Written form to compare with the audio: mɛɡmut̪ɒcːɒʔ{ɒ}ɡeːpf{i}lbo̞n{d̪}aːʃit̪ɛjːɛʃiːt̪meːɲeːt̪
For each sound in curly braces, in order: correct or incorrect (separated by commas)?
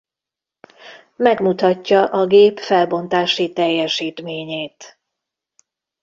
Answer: correct, incorrect, incorrect